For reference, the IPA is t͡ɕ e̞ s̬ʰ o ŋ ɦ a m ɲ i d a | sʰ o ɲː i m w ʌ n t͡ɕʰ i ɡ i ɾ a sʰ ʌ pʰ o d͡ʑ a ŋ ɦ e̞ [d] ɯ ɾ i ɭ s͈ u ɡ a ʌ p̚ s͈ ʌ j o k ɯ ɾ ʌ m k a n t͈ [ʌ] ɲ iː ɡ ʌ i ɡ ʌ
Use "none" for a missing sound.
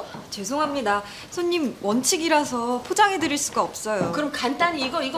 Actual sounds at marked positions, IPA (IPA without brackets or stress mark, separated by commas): d, a